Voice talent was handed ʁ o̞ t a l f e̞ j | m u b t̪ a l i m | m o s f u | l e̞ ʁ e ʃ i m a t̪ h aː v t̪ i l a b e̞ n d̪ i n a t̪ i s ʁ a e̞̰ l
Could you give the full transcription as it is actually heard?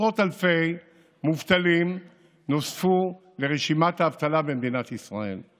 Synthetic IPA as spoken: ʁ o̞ t a l f e̞ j | m u v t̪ a l i m | n o s f u | l e̞ ʁ e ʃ i m a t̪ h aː v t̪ a l a b e̞ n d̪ i n a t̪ i s ʁ a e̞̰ l